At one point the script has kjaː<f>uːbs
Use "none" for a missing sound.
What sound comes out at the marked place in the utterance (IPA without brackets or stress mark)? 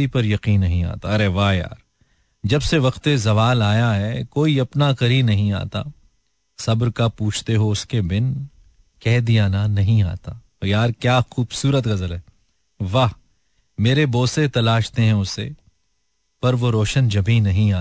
x